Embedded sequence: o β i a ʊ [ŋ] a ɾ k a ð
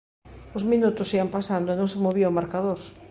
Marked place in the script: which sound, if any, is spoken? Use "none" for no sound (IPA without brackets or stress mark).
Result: m